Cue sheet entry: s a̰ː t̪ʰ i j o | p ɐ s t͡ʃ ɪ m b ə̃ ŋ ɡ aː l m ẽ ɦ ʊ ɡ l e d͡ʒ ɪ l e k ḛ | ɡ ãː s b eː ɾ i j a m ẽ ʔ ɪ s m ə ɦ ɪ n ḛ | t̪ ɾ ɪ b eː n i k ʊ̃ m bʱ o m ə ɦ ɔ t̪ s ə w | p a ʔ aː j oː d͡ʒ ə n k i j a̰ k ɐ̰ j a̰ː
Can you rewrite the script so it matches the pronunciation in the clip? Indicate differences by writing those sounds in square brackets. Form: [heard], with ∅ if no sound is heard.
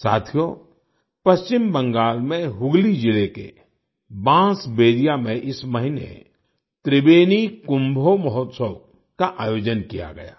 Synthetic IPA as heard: s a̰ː t̪ʰ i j o | p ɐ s t͡ʃ ɪ m b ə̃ ŋ ɡ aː l m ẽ ɦ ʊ ɡ l [i] d͡ʒ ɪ l e k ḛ | [b] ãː s b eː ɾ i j a m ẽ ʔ ɪ s m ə ɦ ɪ n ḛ | t̪ ɾ ɪ b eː n i k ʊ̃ m bʱ o m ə ɦ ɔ t̪ s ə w | [k] a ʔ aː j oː d͡ʒ ə n k i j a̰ [ɡ] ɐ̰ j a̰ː